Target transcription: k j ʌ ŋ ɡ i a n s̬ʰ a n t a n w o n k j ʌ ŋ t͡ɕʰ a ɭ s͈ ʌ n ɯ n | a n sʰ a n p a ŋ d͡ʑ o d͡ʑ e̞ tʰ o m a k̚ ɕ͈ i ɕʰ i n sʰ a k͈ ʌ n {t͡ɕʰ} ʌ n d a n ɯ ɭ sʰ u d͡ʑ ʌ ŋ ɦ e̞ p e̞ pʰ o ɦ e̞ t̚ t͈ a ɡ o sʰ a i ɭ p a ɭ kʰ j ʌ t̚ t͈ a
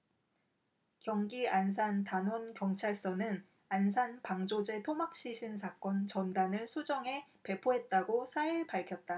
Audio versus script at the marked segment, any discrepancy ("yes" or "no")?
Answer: yes